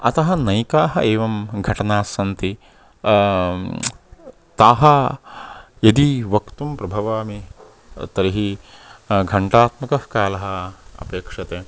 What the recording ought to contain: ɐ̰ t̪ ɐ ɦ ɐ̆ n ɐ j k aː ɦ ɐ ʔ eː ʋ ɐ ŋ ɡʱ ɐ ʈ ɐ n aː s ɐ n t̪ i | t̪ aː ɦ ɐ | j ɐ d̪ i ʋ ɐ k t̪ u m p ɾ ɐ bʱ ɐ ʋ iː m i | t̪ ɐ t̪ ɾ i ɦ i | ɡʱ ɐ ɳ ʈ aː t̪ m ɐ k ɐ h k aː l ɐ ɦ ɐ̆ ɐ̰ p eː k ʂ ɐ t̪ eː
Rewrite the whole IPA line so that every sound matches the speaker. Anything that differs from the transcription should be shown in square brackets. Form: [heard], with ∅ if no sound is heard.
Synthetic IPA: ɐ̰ t̪ ɐ ɦ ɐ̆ n ɐ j k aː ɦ ɐ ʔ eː ʋ ɐ [m] ɡʱ ɐ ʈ ɐ n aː s ɐ n t̪ i | t̪ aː ɦ ɐ | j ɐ d̪ i ʋ ɐ k t̪ u m p ɾ ɐ bʱ ɐ ʋ [aː] m i | t̪ ɐ [∅] ɾ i ɦ i | ɡʱ ɐ ɳ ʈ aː t̪ m ɐ k ɐ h k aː l ɐ ɦ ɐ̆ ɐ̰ p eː k ʂ ɐ t̪ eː